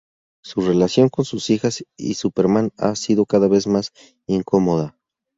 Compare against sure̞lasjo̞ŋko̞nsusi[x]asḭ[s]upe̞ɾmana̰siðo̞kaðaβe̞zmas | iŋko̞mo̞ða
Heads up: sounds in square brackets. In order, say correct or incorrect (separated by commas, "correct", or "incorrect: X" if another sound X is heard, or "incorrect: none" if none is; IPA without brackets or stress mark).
correct, correct